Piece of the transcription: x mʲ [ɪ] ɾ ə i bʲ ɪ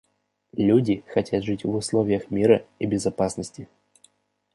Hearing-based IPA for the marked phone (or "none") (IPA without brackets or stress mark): i